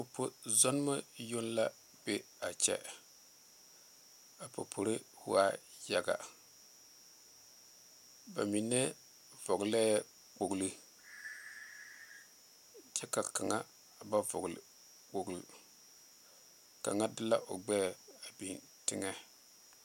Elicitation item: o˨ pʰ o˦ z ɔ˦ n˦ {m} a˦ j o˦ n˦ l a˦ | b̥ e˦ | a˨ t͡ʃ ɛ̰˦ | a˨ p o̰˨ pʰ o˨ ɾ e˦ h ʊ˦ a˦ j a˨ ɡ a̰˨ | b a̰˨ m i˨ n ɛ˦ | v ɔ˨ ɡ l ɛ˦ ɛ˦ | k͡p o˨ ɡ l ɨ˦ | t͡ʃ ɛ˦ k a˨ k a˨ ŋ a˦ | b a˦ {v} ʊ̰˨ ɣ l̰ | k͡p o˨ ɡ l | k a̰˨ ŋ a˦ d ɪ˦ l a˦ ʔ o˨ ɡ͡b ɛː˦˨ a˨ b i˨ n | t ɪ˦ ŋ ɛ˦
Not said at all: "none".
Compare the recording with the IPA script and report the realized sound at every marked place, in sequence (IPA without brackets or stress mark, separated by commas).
m, v